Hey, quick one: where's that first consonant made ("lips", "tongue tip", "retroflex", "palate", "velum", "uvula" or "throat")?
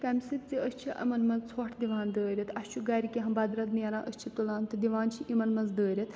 velum